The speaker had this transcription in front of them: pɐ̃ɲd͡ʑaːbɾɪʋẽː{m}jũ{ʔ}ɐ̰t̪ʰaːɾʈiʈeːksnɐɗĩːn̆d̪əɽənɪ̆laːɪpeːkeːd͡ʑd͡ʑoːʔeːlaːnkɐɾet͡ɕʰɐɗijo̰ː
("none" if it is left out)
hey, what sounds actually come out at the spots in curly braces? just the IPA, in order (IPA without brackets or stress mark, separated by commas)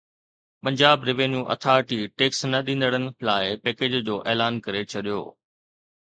n, ʔ